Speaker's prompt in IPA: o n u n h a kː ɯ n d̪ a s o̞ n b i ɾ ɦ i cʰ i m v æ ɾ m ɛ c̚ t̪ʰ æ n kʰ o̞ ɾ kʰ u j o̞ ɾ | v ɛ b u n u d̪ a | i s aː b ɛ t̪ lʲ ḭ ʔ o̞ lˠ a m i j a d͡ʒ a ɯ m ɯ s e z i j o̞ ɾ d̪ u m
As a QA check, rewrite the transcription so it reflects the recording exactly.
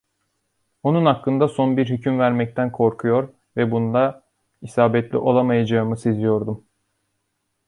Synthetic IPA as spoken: o n u n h a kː ɯ n d̪ a s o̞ n b i ɾ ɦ y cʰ y m v æ ɾ m ɛ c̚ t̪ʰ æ n kʰ o̞ ɾ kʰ u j o̞ ɾ | v ɛ b u n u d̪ a | i s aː b ɛ t̪ lʲ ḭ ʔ o̞ lˠ a m a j a d͡ʒ a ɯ m ɯ s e z i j o̞ ɾ d̪ u m